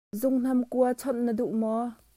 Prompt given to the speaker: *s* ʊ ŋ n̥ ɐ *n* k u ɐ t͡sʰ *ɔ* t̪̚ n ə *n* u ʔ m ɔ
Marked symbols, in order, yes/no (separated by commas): no, no, yes, no